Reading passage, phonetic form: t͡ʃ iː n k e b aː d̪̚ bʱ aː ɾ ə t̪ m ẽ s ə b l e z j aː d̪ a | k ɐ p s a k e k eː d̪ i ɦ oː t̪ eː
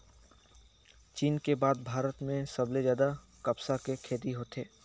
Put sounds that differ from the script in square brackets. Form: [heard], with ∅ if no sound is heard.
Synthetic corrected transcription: t͡ʃ iː n k e b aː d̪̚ bʱ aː ɾ ə t̪ m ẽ s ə b l e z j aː d̪ a | k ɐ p s a k e [kʰ] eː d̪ i ɦ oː t̪ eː